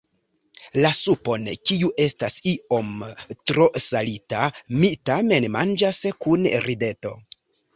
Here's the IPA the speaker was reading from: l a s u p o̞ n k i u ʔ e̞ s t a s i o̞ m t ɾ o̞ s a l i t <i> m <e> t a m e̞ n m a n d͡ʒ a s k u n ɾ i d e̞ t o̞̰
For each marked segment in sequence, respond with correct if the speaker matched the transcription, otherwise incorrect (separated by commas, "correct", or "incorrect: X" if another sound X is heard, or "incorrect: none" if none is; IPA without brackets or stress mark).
incorrect: a, incorrect: i